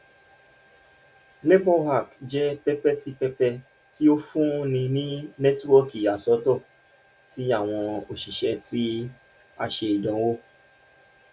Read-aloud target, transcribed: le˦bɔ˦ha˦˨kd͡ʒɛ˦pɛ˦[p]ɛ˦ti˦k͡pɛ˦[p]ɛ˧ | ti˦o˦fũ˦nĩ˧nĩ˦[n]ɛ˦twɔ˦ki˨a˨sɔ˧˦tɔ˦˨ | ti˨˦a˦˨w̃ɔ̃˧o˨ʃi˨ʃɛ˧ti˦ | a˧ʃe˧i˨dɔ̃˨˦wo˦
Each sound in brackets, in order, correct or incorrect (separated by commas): correct, correct, correct